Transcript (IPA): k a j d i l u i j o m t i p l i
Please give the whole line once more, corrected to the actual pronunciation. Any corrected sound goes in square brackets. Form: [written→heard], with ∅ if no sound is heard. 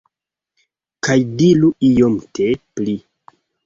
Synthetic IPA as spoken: k a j d i l u i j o m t [i→e] p l i